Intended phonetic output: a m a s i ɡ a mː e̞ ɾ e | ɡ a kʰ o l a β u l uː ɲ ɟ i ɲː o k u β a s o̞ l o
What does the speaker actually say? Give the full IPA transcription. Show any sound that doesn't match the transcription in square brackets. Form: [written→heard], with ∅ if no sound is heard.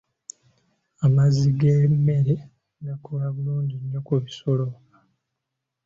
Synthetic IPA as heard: a m a [s→z] i ɡ [a→e] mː e̞ ɾ e | ɡ a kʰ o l a β u l uː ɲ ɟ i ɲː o k u β [a→i] s o̞ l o